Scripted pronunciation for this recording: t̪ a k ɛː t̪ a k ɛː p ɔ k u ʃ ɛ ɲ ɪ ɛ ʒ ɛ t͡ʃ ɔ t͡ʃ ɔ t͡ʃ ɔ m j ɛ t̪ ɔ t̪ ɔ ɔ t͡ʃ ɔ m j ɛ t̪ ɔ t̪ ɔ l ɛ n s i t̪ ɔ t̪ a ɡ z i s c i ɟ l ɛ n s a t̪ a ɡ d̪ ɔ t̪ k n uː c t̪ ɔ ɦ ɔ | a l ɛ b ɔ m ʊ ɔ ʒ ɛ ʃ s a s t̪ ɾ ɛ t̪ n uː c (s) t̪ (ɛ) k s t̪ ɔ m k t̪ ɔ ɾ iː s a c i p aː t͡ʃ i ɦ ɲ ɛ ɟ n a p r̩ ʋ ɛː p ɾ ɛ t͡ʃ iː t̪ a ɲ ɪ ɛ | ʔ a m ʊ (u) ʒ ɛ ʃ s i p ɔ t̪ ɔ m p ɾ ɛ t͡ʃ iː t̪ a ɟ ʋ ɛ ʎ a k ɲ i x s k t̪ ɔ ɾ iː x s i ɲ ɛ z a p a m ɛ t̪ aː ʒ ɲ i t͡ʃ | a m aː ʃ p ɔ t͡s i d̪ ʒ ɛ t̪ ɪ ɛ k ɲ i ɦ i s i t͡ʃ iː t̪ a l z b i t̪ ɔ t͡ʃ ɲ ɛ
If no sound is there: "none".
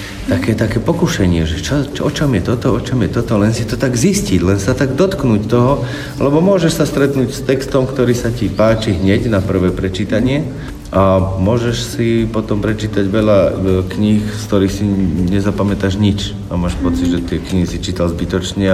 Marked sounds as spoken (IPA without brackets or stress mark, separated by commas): s, ɛ, ɔ